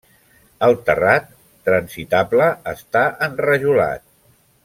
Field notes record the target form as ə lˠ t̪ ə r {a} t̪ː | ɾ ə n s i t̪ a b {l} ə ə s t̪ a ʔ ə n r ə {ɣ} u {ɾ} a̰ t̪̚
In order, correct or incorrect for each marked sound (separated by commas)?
correct, correct, incorrect, incorrect